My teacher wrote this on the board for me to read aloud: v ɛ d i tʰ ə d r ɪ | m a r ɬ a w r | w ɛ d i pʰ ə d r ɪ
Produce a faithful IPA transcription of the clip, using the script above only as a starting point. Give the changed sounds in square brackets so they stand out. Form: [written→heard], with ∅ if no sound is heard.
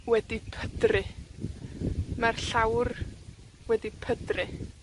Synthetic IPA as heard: [v→w] ɛ d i [tʰ→pʰ] ə d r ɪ | m a r ɬ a w r | w ɛ d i pʰ ə d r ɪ

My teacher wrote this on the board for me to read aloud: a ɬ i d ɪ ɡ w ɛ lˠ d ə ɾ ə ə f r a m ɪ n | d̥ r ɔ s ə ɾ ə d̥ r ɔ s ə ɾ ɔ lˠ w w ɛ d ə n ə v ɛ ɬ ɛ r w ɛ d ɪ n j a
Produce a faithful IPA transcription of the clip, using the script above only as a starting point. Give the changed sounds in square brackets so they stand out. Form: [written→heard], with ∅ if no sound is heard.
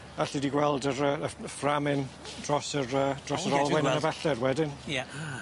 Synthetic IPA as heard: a ɬ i d [ɪ→i] ɡ w ɛ lˠ d ə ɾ ə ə f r a m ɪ n | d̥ r ɔ s ə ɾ ə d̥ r ɔ s ə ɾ ɔ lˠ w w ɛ [d→n] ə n ə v ɛ ɬ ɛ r w ɛ d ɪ n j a

